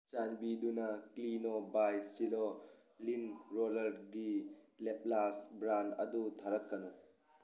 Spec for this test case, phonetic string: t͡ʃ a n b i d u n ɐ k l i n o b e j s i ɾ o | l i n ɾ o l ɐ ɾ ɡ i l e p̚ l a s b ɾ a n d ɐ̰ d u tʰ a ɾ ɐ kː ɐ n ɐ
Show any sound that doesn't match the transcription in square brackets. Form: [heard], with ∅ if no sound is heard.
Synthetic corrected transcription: t͡ʃ a n b i d u n ɐ k l i n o b [a] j s i [l] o | l i n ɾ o l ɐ ɾ ɡ i l e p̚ l a s b ɾ a n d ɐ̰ d u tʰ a ɾ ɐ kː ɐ n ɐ